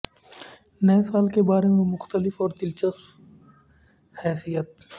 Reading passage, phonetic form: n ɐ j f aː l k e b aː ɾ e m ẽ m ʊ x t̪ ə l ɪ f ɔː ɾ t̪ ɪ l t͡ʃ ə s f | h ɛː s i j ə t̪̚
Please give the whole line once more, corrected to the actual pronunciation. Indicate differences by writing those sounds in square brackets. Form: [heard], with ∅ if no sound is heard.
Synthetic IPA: n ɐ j [s] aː l k e b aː ɾ e m ẽ m ʊ x t̪ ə l ɪ f ɔː ɾ [d̪] ɪ l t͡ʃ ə s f | h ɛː s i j ə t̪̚